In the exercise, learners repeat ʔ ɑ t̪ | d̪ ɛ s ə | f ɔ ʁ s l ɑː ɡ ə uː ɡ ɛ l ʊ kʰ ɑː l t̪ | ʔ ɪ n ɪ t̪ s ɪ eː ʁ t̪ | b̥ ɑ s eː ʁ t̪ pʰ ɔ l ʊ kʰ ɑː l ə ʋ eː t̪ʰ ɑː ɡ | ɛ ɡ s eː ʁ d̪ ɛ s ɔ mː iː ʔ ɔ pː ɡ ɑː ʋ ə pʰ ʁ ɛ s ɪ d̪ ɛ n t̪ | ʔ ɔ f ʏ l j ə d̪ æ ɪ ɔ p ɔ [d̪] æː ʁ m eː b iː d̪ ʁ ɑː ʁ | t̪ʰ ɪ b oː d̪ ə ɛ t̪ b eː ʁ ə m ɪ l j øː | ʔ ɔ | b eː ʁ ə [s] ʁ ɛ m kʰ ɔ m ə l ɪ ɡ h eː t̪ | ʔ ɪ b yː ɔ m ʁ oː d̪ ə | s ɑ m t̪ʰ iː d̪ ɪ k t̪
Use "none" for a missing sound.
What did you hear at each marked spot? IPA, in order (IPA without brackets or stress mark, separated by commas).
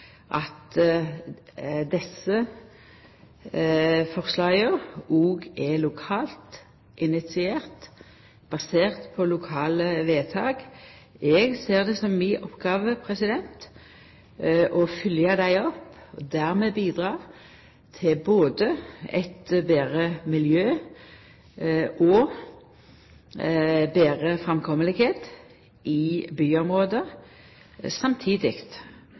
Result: d̪, f